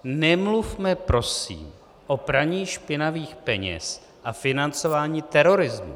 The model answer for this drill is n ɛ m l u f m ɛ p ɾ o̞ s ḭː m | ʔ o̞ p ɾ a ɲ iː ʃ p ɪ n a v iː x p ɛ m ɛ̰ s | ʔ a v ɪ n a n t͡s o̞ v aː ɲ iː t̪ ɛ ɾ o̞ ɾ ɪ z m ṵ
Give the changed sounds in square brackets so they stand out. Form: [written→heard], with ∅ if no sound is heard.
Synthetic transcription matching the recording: n ɛ m l u f m ɛ p ɾ o̞ s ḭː m | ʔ o̞ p ɾ a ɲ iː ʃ p ɪ n a v iː x p ɛ [m→ɲ] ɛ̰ s | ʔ a [v→f] ɪ n a n t͡s o̞ v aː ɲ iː t̪ ɛ ɾ o̞ ɾ ɪ z m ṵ